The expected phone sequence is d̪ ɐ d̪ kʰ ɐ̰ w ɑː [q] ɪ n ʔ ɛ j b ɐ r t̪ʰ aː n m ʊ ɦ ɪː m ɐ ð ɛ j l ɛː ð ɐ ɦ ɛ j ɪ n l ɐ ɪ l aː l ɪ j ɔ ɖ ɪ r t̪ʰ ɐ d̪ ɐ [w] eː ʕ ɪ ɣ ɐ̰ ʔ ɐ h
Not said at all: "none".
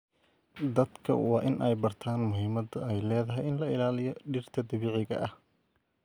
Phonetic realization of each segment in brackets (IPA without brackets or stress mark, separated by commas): ʔ, β